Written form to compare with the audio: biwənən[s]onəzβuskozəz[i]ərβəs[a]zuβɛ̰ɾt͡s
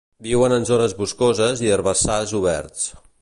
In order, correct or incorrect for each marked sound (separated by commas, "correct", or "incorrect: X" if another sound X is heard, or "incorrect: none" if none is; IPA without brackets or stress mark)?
incorrect: z, correct, correct